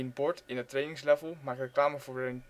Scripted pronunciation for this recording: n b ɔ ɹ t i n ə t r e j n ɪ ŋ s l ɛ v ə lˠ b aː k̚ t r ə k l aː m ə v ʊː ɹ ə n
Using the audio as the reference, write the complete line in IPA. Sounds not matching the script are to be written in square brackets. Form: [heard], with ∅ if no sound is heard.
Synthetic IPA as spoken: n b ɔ ɹ t [ɪ] n ə t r e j n ɪ ŋ s l ɛ v ə lˠ [m] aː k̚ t r ə k l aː m ə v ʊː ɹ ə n